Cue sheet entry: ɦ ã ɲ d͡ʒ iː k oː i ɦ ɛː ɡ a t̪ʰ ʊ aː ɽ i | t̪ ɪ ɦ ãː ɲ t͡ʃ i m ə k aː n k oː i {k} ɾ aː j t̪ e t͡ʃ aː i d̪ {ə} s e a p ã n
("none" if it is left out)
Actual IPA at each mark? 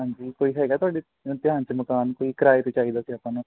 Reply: k, a

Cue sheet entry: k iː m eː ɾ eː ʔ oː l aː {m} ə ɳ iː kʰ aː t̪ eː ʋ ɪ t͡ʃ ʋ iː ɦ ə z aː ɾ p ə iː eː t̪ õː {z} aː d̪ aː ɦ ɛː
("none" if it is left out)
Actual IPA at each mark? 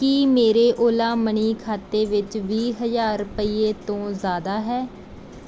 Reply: m, z

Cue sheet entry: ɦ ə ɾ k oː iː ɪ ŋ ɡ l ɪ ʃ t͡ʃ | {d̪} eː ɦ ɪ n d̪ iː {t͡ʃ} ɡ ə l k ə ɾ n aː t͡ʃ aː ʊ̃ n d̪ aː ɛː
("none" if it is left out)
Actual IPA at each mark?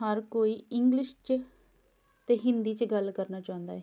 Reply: t̪, t͡ʃ

